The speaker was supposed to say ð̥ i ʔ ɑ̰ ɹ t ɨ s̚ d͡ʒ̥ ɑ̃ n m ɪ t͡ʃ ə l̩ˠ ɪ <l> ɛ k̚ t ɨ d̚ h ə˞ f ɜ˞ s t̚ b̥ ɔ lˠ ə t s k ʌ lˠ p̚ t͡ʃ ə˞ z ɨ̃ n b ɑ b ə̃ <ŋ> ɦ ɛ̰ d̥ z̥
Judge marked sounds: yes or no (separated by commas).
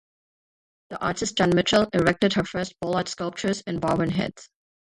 no, no